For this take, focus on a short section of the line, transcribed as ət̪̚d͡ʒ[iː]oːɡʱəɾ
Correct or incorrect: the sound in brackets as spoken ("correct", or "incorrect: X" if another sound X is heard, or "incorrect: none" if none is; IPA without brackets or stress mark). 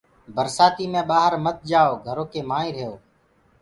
incorrect: aː